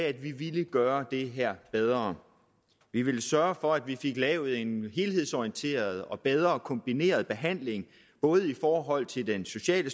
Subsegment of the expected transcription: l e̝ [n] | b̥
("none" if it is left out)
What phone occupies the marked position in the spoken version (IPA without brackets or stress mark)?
ŋ